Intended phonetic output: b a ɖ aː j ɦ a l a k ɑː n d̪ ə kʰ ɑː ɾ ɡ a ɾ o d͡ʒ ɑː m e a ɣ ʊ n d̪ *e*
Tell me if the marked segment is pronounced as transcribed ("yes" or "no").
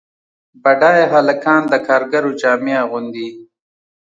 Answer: no